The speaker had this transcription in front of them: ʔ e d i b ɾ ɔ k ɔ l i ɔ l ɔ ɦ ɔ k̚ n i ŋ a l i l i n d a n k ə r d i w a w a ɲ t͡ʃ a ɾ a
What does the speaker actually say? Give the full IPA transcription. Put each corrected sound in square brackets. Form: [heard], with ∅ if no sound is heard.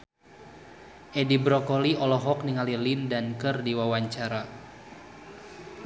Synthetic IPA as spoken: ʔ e d i b ɾ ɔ k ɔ l i ɔ l ɔ ɦ ɔ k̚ n i ŋ a l i l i n d a n k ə r d i w a w a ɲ t͡ʃ a ɾ a